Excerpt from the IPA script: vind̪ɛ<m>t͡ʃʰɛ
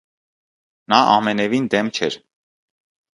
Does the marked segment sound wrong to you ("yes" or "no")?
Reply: no